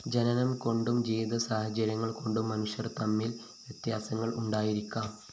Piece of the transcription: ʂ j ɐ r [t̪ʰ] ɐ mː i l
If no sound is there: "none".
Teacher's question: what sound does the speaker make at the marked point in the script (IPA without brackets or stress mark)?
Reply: t̪